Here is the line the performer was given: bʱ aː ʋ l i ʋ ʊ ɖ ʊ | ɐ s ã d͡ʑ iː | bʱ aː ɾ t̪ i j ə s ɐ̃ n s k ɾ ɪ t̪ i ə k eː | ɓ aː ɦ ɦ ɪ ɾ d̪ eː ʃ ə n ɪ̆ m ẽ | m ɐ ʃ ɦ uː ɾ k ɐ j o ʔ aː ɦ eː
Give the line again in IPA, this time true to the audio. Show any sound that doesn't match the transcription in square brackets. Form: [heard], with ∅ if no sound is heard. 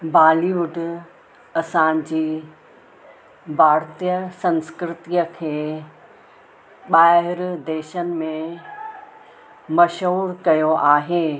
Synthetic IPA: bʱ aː [∅] l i ʋ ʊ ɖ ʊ | ɐ s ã d͡ʑ iː | bʱ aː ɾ t̪ i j ə s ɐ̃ n s k ɾ ɪ t̪ i ə [kʰ] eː | ɓ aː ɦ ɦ ɪ ɾ d̪ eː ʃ ə n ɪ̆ m ẽ | m ɐ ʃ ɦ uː ɾ k ɐ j o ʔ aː ɦ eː

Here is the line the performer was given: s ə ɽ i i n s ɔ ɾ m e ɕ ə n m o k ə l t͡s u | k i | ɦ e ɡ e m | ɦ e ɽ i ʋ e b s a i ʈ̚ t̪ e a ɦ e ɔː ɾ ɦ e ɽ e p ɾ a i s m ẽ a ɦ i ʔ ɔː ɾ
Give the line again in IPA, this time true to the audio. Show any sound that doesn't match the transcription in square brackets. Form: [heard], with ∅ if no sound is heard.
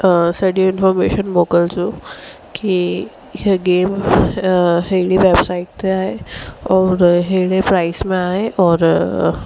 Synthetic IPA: s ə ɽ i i n [f] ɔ ɾ m e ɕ ə n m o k ə l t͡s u | k i | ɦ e ɡ e m | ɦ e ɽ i ʋ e b s a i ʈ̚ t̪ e a ɦ e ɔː ɾ ɦ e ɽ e p ɾ a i s m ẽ a ɦ [e] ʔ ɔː ɾ

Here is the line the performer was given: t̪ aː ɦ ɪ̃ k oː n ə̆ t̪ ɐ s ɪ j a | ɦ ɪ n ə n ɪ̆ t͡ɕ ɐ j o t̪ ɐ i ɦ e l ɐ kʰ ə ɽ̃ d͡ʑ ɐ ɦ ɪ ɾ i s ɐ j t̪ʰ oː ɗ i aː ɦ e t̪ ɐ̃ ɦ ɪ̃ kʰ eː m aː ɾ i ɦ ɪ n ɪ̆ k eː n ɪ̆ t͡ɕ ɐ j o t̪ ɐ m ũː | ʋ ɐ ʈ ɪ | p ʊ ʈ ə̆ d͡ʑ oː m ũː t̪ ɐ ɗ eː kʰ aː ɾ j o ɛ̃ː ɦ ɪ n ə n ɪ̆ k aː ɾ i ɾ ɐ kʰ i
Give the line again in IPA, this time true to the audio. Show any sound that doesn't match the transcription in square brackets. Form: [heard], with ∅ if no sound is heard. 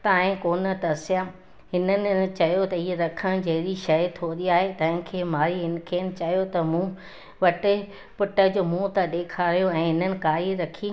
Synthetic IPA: t̪ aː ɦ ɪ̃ k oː n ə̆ t̪ ɐ s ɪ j a | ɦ ɪ n ə n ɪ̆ t͡ɕ ɐ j o t̪ ɐ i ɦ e [ɾ] ɐ kʰ ə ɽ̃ d͡ʑ ɐ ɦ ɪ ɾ i [ʃ] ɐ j t̪ʰ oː ɗ i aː ɦ e t̪ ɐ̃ ɦ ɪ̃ kʰ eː m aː ɾ i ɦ ɪ n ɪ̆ [kʰ] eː n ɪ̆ t͡ɕ ɐ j o t̪ ɐ m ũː | ʋ ɐ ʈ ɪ | p ʊ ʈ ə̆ d͡ʑ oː m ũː t̪ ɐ ɗ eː kʰ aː ɾ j o ɛ̃ː ɦ ɪ n ə n ɪ̆ k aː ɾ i ɾ ɐ kʰ i

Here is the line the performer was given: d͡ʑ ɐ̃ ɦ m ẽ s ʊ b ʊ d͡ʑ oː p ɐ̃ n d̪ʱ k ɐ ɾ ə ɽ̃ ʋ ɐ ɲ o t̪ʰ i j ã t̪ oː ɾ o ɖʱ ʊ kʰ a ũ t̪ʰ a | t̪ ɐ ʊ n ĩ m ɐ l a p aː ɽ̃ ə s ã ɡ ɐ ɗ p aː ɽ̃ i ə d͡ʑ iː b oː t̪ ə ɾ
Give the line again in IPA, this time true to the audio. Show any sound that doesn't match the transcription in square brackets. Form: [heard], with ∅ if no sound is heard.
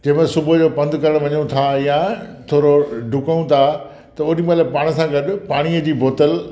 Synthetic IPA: d͡ʑ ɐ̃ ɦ m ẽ s ʊ b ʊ d͡ʑ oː p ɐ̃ n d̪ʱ k ɐ ɾ ə ɽ̃ ʋ ɐ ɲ o t̪ʰ [a] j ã [t̪ʰ] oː ɾ o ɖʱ ʊ [k] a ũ t̪ʰ a | t̪ ɐ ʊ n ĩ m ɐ l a p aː ɽ̃ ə s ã ɡ ɐ ɗ p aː ɽ̃ i ə d͡ʑ iː b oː t̪ ə [l]

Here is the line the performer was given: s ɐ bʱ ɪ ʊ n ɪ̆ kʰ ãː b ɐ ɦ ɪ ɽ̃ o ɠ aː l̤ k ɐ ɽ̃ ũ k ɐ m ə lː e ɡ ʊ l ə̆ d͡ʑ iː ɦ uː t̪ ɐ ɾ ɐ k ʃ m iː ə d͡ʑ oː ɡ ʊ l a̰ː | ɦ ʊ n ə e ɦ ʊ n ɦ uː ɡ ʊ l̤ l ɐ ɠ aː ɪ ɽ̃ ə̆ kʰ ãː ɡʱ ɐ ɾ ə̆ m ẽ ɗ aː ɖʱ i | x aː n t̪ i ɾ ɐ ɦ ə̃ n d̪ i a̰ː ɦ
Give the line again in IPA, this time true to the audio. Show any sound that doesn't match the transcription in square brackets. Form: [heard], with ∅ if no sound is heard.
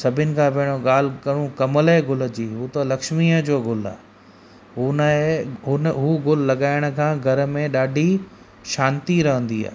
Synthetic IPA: s ɐ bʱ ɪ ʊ n ɪ̆ kʰ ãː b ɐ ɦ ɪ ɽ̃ o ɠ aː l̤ k ɐ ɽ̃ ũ k ɐ m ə [l] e ɡ ʊ l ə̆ d͡ʑ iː ɦ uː t̪ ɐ [l] ɐ k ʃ m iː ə d͡ʑ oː ɡ ʊ l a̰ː | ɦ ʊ n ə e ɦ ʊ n ɦ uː ɡ ʊ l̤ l ɐ ɠ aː ɪ ɽ̃ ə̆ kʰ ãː ɡʱ ɐ ɾ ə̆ m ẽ ɗ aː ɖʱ i | [ʃ] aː n t̪ i ɾ ɐ ɦ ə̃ n d̪ i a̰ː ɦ

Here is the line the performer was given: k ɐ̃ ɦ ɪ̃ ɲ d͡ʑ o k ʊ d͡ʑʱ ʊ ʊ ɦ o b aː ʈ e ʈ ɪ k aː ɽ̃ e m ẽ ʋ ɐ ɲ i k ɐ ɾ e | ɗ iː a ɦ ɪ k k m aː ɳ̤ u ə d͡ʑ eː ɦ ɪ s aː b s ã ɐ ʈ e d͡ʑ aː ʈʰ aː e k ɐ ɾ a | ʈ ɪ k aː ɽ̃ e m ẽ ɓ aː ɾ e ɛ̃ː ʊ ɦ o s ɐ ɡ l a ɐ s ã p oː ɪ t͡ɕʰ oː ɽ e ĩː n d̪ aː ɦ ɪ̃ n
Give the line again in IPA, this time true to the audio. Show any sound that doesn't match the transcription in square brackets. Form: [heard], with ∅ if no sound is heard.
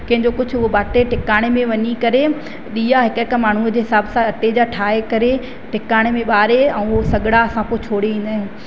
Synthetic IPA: k ɐ̃ ɦ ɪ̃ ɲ d͡ʑ o k ʊ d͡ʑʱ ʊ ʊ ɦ o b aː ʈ e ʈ ɪ k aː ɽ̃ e m ẽ ʋ ɐ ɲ i k ɐ ɾ e | ɗ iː a ɦ ɪ k k m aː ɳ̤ u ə d͡ʑ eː ɦ ɪ s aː b s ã ɐ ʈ e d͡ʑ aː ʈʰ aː e k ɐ ɾ [e] | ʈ ɪ k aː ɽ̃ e m ẽ ɓ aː ɾ e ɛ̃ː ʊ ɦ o s ɐ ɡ [ɽ] a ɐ s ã p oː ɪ t͡ɕʰ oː ɽ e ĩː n d̪ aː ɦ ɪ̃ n

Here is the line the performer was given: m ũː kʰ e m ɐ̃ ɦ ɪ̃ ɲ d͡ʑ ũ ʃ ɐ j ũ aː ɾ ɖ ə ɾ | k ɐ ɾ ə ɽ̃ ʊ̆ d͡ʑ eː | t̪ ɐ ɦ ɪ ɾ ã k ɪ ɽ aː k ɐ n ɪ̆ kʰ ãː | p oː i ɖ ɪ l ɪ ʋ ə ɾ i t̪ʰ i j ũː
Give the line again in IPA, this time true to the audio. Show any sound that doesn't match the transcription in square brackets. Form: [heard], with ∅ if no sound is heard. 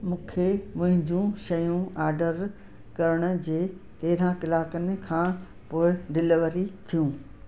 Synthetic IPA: m ũː kʰ e m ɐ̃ ɦ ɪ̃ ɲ d͡ʑ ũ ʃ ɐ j ũ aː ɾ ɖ ə ɾ | k ɐ ɾ ə ɽ̃ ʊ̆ d͡ʑ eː | t̪ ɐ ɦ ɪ ɾ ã k ɪ [l] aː k [ə] n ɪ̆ kʰ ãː | p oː [ɪ] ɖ ɪ l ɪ ʋ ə ɾ i t̪ʰ i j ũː

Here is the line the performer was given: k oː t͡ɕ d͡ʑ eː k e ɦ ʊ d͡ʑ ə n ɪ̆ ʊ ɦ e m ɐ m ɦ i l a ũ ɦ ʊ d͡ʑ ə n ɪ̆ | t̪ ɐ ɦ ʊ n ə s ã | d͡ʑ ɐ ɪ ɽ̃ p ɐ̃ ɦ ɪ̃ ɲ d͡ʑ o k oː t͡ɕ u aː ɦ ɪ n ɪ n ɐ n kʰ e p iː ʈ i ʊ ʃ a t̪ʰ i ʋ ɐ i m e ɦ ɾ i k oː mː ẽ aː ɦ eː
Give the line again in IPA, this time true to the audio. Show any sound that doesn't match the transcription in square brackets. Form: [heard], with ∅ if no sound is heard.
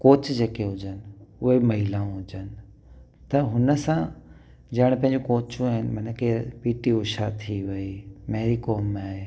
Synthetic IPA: k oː t͡ɕ d͡ʑ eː k e ɦ ʊ d͡ʑ ə n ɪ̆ ʊ ɦ e m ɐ [∅] ɦ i l a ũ ɦ ʊ d͡ʑ ə n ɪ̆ | t̪ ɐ ɦ ʊ n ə s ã | d͡ʑ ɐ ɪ ɽ̃ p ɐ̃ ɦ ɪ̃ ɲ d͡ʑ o k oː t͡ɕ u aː ɦ ɪ n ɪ [m] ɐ n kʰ e p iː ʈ i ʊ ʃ a t̪ʰ i ʋ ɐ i m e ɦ ɾ i k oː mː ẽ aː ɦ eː

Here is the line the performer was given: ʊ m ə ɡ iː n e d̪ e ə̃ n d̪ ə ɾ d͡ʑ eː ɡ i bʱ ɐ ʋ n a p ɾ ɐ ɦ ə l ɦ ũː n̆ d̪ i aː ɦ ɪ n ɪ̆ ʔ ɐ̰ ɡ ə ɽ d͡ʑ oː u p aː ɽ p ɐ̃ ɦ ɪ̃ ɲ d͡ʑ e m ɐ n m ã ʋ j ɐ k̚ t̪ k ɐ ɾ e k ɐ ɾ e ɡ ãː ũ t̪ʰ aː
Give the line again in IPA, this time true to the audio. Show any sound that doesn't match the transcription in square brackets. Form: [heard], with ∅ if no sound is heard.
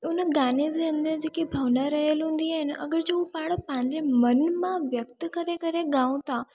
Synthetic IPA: ʊ [n] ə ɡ [aː] n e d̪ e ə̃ n d̪ ə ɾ d͡ʑ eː [k] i bʱ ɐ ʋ n a [∅] ɾ ɐ ɦ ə l ɦ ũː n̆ d̪ i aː ɦ ɪ n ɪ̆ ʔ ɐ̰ ɡ ə [ɾ] d͡ʑ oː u p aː ɽ p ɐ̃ ɦ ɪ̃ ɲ d͡ʑ e m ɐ n m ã ʋ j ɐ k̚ t̪ k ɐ ɾ e k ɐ ɾ e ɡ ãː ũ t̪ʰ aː

